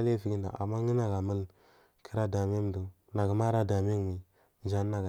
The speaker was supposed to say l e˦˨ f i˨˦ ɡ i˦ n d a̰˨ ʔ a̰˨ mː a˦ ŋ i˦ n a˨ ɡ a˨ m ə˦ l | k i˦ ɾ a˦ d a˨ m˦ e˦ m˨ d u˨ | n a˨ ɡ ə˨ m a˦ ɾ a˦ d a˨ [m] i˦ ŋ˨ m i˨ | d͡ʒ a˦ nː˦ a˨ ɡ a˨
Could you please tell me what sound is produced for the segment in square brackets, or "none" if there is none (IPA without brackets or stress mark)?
m